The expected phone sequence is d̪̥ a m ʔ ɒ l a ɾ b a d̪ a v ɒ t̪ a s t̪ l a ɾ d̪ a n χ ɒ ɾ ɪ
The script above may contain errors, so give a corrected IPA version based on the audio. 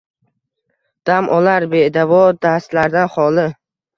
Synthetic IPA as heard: d̪̥ a m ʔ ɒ l a ɾ b e d̪ a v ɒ d̪ a s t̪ l a ɾ d̪ a n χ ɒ l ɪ